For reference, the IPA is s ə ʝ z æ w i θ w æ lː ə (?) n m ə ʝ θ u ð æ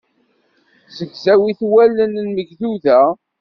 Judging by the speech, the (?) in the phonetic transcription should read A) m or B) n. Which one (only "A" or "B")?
B